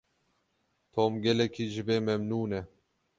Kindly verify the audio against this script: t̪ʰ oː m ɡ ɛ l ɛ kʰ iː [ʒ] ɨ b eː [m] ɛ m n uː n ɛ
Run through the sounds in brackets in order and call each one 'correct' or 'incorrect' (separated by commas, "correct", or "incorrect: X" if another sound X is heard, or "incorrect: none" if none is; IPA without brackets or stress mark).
correct, correct